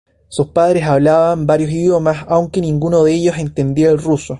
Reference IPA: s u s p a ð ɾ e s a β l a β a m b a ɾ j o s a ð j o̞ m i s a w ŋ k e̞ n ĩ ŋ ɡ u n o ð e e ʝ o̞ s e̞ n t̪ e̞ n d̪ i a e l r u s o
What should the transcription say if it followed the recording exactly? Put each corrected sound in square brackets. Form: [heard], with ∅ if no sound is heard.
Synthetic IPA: s u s p a ð ɾ e s a β l a β a m b a ɾ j o s [i] ð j o̞ m [a] s a w ŋ k e̞ n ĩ ŋ ɡ u n o ð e e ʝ o̞ s e̞ n t̪ e̞ n d̪ i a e l r u s o